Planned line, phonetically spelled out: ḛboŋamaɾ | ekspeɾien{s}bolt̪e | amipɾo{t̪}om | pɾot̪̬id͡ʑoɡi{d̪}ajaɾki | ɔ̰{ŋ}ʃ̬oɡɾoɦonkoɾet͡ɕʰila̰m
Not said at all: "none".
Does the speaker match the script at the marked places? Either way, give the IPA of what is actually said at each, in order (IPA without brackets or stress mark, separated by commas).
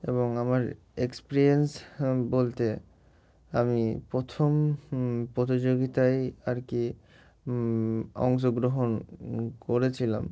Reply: s, t̪ʰ, t̪, ŋ